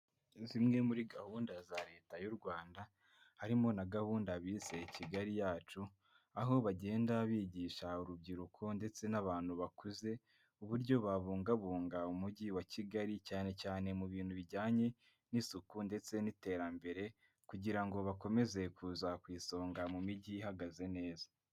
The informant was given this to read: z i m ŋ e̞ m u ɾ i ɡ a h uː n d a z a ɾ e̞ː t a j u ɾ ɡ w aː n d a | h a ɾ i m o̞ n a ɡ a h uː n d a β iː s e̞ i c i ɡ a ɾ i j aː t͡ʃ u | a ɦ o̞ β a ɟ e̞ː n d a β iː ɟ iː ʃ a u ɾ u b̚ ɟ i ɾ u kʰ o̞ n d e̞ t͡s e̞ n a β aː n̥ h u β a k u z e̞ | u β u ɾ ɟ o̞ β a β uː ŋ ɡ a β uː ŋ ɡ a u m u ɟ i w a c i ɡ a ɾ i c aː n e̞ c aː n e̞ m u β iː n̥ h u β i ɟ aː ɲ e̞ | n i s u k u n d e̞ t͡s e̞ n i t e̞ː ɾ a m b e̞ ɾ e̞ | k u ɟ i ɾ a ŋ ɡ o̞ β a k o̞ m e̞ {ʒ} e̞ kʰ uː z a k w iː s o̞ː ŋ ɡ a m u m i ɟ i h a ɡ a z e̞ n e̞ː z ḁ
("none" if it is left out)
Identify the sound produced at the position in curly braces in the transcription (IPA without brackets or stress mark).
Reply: z